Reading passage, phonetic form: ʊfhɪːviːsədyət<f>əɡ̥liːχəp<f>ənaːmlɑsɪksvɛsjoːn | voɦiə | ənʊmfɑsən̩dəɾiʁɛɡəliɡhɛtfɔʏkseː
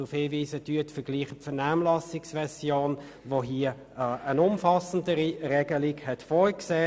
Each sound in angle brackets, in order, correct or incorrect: correct, correct

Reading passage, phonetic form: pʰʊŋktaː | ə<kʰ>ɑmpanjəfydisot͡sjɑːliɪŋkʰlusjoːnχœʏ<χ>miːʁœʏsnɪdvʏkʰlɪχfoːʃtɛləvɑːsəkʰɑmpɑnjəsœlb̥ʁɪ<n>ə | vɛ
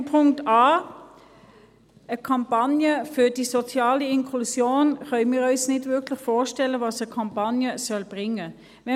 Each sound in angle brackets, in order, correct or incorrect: correct, incorrect: none, incorrect: ŋ

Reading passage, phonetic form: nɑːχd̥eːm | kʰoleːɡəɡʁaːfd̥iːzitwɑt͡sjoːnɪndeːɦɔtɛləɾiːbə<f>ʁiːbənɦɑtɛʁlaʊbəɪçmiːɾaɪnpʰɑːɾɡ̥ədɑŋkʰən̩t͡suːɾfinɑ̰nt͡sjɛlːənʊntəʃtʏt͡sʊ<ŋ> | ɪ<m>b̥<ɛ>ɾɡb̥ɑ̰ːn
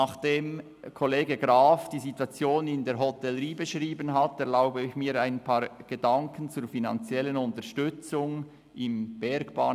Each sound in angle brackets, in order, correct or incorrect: incorrect: ʃ, correct, correct, correct

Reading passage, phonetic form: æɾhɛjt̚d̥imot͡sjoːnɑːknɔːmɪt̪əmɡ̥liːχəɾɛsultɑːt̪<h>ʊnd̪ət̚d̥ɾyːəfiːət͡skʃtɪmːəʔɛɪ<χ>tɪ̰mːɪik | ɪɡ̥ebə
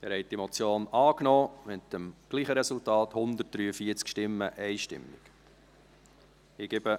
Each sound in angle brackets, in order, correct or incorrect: correct, incorrect: ʃ

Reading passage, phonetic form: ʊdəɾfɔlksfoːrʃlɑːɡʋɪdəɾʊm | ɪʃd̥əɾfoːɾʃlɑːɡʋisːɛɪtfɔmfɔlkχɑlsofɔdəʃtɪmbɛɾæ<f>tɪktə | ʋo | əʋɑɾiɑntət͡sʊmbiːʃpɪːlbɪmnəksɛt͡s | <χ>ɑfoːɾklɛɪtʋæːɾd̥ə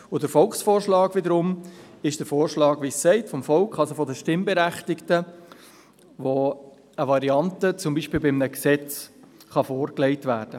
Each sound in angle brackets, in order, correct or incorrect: incorrect: χ, correct

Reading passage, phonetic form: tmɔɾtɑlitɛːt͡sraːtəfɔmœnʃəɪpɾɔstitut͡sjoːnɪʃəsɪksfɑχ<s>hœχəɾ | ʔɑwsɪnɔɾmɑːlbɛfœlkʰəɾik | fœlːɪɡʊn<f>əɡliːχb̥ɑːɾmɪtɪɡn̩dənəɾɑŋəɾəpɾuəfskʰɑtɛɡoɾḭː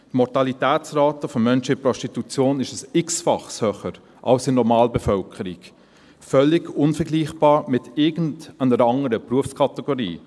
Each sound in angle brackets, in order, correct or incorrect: correct, correct

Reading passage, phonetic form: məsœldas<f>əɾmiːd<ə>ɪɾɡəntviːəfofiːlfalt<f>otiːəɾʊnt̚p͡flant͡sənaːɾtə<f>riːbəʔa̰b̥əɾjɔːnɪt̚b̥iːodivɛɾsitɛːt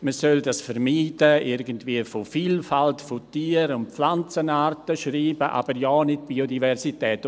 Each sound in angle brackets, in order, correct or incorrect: correct, correct, correct, incorrect: ʃ

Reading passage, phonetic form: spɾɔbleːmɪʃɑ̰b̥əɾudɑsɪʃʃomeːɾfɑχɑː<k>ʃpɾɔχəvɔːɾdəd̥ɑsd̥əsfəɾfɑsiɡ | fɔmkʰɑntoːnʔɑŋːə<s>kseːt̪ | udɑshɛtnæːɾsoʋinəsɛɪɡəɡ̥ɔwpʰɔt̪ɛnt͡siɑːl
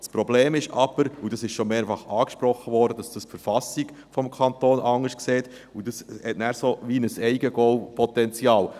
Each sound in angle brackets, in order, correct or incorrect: correct, incorrect: ʃ

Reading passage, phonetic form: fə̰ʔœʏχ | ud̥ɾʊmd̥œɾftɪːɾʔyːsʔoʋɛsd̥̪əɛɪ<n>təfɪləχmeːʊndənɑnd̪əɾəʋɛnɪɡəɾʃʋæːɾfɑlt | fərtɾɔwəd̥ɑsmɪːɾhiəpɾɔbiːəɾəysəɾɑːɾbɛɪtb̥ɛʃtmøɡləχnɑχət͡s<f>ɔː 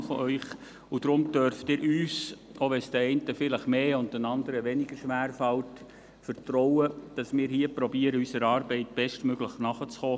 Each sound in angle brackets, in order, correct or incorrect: correct, incorrect: χ

